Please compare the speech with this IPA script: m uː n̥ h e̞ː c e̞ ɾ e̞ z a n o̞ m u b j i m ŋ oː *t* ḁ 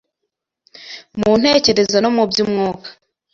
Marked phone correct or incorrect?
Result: incorrect